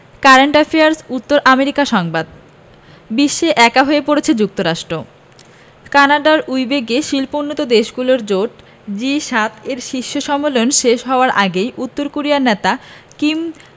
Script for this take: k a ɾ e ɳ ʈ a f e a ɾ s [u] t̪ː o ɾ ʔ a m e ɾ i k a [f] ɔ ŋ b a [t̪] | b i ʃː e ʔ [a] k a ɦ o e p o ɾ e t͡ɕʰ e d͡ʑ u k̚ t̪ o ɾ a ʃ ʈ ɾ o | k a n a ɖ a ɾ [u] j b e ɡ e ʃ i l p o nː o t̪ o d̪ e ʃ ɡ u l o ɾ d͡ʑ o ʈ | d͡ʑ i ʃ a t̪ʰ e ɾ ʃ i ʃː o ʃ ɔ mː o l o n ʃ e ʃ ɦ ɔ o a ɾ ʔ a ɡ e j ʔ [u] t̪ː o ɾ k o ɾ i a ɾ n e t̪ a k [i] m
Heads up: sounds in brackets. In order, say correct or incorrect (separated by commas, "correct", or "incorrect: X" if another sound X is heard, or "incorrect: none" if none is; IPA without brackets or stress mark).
correct, incorrect: ʃ, incorrect: d̪, incorrect: ɛ, correct, correct, correct